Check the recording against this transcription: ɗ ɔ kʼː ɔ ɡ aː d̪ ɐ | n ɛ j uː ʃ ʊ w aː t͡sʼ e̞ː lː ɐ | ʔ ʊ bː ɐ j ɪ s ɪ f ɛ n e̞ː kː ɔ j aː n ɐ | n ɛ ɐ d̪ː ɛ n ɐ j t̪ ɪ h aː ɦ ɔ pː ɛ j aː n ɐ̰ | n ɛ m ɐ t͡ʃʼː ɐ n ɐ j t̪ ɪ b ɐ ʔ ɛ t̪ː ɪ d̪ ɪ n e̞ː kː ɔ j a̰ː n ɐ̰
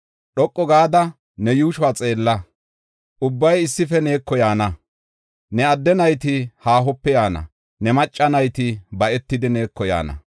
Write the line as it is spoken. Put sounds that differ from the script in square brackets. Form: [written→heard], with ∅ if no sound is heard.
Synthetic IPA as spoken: ɗ ɔ kʼː ɔ ɡ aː d̪ ɐ | n ɛ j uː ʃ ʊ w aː t͡sʼ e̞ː lː ɐ | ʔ ʊ bː ɐ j ɪ [s→sː] ɪ f ɛ n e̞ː kː ɔ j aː n ɐ | n ɛ ɐ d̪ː ɛ n ɐ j t̪ ɪ h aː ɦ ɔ pː ɛ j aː n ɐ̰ | n ɛ m ɐ t͡ʃʼː ɐ n ɐ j t̪ ɪ b ɐ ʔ ɛ t̪ː ɪ d̪ ɪ n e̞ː kː ɔ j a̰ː n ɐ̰